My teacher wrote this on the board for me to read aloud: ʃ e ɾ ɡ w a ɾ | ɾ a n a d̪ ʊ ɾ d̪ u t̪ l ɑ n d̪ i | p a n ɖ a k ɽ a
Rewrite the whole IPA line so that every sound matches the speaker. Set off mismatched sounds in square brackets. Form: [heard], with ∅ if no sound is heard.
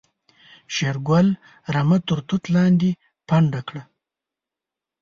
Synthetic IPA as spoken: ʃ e ɾ ɡ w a [l] | ɾ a [m] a [t̪] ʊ ɾ [t̪] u t̪ l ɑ n d̪ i | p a [ɳ] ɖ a k ɽ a